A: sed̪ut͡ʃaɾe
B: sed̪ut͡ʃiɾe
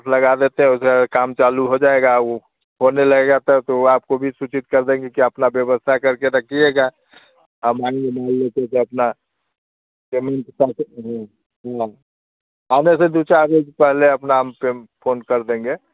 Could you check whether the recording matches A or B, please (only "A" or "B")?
A